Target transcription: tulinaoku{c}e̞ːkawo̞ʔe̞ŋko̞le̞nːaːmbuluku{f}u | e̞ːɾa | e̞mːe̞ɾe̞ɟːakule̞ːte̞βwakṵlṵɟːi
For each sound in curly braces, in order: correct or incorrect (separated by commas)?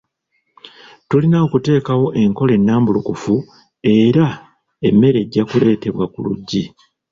incorrect, correct